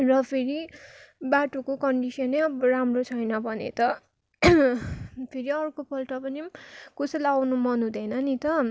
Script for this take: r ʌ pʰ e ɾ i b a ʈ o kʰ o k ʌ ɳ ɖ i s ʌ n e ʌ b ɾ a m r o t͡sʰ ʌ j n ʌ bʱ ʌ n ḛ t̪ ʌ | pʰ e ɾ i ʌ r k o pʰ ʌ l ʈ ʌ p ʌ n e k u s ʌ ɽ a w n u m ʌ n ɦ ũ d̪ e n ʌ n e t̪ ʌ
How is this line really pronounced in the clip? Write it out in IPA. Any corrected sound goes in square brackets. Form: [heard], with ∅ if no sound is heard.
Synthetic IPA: r ʌ pʰ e ɾ i b a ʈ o [k] o k ʌ ɳ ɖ i s ʌ n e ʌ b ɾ a m r o t͡sʰ ʌ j n ʌ bʱ ʌ n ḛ t̪ ʌ | pʰ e ɾ i ʌ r k o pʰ ʌ l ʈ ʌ p ʌ n [i] k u s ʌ [l] a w n u m ʌ n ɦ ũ d̪ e n ʌ n [i] t̪ ʌ